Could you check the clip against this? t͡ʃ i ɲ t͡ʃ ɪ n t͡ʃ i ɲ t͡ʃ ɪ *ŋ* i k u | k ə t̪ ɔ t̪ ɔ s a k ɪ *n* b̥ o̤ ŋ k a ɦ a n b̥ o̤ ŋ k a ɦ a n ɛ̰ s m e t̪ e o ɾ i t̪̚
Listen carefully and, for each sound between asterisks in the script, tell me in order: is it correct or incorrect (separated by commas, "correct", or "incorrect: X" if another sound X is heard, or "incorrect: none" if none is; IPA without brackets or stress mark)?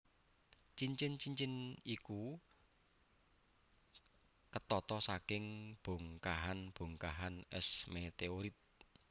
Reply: incorrect: n, incorrect: ŋ